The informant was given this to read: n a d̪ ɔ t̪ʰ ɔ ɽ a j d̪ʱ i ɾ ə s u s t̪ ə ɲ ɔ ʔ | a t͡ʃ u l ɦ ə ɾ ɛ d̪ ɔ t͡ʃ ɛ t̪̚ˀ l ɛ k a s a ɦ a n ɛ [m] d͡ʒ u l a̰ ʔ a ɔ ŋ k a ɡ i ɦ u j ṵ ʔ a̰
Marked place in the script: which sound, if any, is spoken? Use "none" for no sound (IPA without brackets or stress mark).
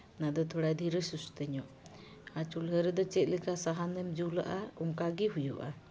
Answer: m